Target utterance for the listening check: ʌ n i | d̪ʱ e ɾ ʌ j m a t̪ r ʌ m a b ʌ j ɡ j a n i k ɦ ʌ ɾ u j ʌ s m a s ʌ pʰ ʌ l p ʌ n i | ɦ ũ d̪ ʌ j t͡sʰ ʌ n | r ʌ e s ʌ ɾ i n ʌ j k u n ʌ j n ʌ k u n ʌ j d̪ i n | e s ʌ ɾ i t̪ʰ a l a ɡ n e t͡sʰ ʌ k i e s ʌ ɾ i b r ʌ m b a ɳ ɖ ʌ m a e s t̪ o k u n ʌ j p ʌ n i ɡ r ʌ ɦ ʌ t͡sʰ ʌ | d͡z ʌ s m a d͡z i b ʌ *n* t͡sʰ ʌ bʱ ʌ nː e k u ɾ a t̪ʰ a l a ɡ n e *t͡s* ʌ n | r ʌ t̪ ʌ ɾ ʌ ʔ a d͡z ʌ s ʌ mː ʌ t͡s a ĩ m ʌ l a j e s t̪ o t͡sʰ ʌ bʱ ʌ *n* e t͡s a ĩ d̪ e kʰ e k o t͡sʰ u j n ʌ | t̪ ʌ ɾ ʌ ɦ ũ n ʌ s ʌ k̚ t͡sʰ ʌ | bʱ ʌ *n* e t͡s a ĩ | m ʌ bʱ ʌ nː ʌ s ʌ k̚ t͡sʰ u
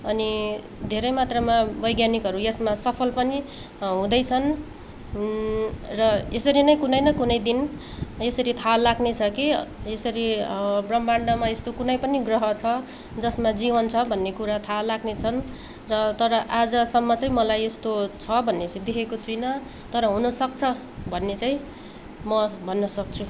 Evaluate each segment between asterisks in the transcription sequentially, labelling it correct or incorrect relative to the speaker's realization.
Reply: correct, incorrect: t͡sʰ, incorrect: nː, incorrect: nː

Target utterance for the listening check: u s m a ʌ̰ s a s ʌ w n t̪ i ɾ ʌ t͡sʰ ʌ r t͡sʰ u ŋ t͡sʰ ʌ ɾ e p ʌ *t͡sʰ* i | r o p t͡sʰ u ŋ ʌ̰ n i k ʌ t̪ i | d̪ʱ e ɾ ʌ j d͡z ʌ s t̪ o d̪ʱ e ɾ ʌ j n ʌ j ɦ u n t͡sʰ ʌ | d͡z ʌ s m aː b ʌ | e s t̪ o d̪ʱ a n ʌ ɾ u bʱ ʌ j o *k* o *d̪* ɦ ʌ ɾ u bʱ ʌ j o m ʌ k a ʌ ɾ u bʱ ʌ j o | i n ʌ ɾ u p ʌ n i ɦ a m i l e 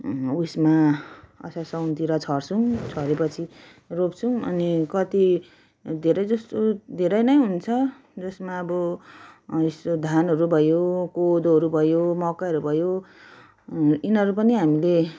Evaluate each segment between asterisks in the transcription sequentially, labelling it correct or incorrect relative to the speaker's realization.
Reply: correct, correct, correct

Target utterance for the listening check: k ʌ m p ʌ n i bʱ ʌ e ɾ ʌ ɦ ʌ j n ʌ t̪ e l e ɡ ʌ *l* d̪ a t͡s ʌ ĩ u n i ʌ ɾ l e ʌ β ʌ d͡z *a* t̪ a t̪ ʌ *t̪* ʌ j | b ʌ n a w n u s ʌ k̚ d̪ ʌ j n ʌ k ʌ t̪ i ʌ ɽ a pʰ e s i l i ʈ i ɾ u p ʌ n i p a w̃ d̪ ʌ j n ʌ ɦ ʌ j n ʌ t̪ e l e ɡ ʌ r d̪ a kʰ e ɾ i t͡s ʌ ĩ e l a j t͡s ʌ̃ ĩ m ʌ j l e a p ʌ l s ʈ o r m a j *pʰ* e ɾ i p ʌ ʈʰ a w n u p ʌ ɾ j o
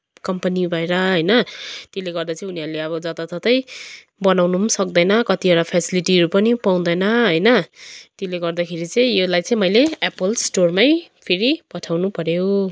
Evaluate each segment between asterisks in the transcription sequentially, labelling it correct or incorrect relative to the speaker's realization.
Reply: incorrect: r, incorrect: ʌ, correct, correct

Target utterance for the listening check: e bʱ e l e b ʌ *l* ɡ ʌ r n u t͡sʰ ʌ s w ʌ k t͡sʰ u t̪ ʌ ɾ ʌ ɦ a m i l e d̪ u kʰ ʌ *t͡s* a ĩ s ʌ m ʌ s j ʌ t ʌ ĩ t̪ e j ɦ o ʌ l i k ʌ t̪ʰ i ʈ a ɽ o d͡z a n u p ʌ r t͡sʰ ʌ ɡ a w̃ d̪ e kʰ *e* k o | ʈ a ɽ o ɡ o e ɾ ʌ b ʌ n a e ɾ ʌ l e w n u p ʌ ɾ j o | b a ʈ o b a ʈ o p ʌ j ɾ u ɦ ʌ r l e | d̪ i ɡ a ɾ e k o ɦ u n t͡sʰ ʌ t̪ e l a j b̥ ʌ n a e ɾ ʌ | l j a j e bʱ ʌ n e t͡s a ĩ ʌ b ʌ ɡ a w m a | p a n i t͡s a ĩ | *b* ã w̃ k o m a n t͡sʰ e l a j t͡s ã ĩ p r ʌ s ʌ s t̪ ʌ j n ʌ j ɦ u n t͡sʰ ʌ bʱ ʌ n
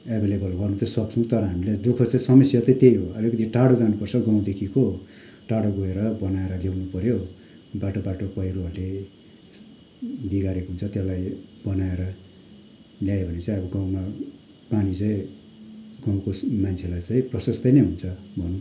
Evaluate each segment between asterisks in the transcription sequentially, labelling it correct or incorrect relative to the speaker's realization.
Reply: correct, correct, incorrect: i, incorrect: ɡ

